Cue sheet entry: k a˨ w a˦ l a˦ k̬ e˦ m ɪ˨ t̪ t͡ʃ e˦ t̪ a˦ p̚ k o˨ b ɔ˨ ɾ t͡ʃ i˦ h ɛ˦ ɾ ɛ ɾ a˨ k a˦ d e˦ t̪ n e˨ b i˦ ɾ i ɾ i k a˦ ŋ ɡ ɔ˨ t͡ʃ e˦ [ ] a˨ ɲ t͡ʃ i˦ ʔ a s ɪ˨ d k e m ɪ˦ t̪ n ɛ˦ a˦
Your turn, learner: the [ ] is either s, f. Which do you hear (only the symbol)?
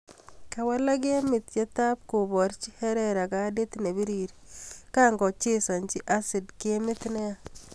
s